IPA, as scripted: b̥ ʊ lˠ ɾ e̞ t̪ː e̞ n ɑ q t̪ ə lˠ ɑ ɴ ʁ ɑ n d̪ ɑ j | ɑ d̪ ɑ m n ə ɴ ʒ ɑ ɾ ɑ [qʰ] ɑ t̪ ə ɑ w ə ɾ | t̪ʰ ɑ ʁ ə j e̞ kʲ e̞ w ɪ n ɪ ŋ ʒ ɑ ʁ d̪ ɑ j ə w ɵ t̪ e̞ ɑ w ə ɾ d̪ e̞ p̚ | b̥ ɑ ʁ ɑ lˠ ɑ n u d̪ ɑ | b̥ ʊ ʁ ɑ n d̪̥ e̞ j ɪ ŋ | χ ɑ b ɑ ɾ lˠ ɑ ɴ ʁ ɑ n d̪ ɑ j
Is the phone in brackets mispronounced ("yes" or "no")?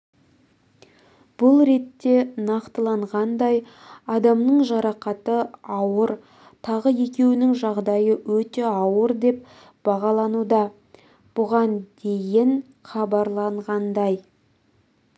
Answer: yes